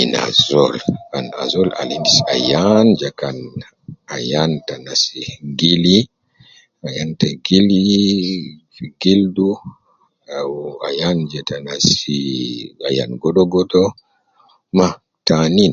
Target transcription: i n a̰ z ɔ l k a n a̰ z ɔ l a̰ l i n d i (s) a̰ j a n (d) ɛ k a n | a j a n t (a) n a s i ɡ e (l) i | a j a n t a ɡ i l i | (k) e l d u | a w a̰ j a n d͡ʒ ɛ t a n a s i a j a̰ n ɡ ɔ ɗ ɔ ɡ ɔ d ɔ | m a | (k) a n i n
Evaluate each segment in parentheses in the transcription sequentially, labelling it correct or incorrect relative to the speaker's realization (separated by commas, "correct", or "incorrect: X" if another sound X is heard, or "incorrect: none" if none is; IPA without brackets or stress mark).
correct, incorrect: d͡ʒ, correct, correct, incorrect: ɡ, incorrect: t